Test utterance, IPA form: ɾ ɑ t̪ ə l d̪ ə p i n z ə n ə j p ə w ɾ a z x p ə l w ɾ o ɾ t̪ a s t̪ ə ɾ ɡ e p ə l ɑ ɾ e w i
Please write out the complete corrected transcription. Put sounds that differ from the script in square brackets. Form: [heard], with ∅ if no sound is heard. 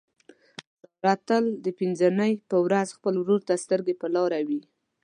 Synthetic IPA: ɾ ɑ t̪ ə l d̪ ə p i n z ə n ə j p ə w ɾ a z x p ə l w ɾ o ɾ t̪ a s t̪ ə ɾ ɡ e p ə l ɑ ɾ [a] w i